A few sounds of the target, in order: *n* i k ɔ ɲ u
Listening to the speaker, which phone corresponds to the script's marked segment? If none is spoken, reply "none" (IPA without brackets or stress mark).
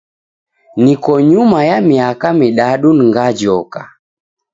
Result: n